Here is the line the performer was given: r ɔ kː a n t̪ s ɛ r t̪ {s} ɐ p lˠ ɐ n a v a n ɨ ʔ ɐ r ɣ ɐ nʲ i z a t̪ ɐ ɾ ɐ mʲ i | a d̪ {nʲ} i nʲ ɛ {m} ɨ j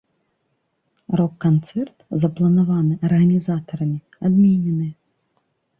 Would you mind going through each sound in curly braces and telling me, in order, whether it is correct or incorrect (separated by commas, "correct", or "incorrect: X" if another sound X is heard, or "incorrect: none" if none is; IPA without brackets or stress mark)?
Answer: incorrect: z, incorrect: mʲ, incorrect: n